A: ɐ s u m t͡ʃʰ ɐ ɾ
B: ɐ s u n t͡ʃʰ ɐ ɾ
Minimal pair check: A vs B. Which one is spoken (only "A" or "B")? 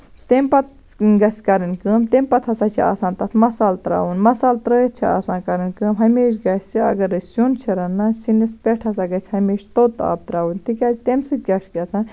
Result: B